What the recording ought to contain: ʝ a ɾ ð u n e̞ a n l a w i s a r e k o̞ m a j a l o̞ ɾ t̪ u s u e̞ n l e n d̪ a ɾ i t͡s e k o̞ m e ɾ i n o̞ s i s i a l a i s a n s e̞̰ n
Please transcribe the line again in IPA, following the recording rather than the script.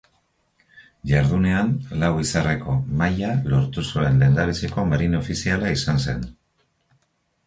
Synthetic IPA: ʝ a ɾ ð u n e̞ a n l a w i s a r e k o̞ m a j a l o̞ ɾ t̪ u s u e̞ n l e n d̪ a ɾ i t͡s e k o̞ m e ɾ i n o̞ f i s i a l a i s a n s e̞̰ n